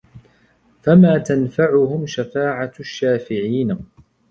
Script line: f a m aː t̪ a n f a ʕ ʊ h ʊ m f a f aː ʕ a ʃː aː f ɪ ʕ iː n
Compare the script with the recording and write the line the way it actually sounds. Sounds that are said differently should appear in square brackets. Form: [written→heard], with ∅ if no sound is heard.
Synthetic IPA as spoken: f a m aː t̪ a n f a ʕ ʊ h ʊ m [f→ʃ] a f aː ʕ a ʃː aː f ɪ ʕ iː n